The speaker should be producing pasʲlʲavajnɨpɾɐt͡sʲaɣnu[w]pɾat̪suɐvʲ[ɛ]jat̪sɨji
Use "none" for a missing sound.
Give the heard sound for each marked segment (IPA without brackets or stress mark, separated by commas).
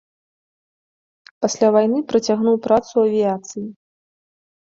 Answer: w, i